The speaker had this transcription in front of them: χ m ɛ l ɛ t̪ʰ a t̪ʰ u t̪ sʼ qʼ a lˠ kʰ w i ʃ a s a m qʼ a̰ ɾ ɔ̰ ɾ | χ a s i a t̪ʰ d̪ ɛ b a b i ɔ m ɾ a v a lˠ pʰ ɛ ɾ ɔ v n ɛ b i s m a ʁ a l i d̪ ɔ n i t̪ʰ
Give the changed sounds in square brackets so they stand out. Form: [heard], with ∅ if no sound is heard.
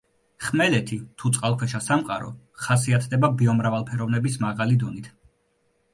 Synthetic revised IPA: χ m ɛ l ɛ t̪ʰ [i] t̪ʰ u t̪ sʼ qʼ a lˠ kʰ w [ɛ] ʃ a s a m qʼ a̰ ɾ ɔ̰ [∅] | χ a s i a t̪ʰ d̪ ɛ b a b i ɔ m ɾ a v a lˠ pʰ ɛ ɾ ɔ v n ɛ b i s m a ʁ a l i d̪ ɔ n i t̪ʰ